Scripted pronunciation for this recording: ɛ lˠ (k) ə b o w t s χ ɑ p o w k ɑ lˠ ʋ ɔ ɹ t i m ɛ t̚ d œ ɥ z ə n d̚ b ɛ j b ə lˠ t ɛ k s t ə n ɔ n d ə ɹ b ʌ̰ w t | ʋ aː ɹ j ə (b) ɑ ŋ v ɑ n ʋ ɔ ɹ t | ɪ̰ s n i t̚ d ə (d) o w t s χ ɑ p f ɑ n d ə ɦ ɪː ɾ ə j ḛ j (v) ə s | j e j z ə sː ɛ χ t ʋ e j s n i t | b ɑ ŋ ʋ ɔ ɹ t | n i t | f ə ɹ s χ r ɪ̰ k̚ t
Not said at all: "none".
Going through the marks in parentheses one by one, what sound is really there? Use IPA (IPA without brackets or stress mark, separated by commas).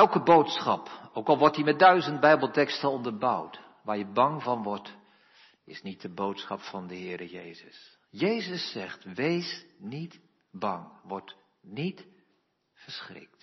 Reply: k, b, b, z